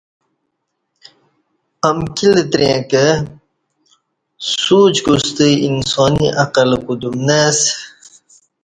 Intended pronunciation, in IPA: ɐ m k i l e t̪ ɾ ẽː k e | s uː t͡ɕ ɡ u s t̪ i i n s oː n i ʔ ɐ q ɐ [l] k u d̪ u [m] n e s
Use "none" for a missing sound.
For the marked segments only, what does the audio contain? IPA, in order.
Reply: l, m

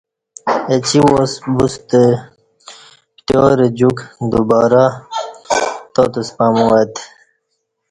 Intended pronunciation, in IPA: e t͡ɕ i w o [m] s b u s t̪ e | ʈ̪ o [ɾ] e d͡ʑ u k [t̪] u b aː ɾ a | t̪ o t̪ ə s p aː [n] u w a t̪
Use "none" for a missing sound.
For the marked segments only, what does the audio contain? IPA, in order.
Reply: none, ɾ, d̪, m

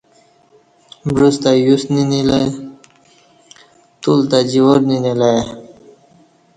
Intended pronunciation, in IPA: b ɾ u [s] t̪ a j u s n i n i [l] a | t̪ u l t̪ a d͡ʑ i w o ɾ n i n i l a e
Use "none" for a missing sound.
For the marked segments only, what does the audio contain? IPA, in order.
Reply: s, l

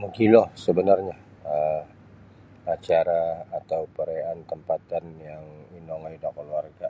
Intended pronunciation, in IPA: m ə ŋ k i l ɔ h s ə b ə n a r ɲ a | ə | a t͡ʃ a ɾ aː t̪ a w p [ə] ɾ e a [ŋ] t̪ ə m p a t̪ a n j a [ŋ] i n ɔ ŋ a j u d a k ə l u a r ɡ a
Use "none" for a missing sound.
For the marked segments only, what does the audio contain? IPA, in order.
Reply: ə, n, ŋ

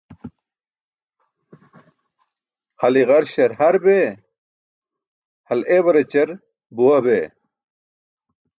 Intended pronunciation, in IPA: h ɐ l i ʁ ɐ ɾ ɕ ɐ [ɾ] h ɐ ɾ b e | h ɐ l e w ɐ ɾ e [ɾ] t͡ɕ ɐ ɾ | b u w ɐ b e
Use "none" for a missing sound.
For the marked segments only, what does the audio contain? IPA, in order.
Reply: ɾ, none

